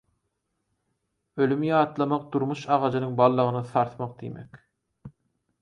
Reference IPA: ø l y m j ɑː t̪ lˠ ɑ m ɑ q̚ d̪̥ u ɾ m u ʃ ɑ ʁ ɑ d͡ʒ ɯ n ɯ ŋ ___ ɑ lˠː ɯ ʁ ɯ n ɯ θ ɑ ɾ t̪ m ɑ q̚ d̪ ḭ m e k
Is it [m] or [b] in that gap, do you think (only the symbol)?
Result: b